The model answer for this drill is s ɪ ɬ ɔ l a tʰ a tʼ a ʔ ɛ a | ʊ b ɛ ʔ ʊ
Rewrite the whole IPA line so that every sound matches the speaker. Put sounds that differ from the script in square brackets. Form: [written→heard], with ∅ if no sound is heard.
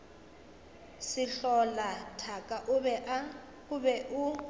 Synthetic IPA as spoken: s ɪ ɬ ɔ l a tʰ a [tʼ→kʼ] a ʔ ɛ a | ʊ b ɛ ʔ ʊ